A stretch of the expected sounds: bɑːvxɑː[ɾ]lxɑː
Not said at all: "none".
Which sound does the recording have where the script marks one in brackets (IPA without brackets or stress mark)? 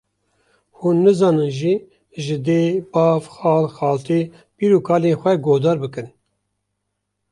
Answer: none